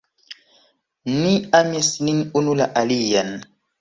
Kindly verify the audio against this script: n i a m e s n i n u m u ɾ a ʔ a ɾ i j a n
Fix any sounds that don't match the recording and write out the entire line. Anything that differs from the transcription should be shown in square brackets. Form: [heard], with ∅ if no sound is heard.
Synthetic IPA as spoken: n i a m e s n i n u [n] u [l] a ʔ a [l] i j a n